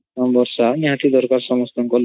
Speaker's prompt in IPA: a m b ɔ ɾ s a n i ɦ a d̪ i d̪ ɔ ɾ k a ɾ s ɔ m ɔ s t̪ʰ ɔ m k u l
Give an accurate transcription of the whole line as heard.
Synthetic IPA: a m b ɔ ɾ s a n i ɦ a t̪ i d̪ ɔ ɾ k a ɾ s ɔ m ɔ s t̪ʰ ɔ ŋ k ɔ l